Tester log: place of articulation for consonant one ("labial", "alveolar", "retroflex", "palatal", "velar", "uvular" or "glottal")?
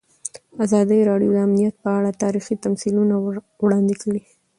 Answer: alveolar